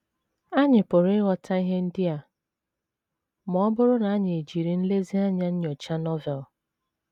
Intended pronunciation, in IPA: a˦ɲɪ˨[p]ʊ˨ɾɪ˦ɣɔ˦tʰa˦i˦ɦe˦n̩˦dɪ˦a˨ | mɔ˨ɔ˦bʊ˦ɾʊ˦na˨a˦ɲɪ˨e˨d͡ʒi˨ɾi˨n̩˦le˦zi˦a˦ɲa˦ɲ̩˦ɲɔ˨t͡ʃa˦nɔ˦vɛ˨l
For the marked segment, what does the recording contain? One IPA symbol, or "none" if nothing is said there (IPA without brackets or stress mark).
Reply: p